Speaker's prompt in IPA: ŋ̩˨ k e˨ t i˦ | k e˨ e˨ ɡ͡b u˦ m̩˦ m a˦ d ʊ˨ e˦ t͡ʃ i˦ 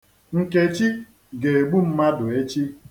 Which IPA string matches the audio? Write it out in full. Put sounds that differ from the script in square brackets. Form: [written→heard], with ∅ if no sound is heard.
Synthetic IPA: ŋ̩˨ k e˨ [t→t͡ʃ] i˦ | [k→ɡ] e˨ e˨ ɡ͡b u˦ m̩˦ m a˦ d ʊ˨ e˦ t͡ʃ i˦